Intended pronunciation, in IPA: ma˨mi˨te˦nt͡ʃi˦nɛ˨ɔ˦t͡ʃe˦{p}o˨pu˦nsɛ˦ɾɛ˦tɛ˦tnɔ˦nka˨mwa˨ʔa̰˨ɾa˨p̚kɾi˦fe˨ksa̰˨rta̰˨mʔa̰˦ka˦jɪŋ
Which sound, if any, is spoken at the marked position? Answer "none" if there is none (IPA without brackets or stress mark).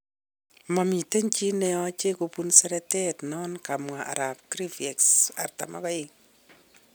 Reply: k